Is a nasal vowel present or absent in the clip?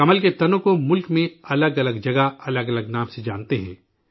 present